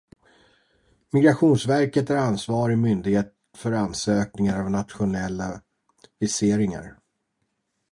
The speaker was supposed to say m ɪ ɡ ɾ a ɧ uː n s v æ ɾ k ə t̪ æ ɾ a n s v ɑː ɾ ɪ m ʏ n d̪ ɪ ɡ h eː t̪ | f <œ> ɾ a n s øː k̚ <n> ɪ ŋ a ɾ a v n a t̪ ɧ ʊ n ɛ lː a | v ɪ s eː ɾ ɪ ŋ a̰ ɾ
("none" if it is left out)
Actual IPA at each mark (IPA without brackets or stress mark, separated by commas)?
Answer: œ, n